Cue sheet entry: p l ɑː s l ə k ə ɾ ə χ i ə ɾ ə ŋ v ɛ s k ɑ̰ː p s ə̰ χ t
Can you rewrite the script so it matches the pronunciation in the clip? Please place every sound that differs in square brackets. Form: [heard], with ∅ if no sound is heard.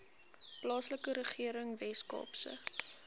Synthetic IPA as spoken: p l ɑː s l ə k ə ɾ ə χ i ə ɾ ə ŋ v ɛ s k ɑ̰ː p s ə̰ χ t